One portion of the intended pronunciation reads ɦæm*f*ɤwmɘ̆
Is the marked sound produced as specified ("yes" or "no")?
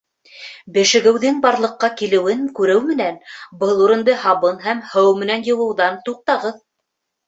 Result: no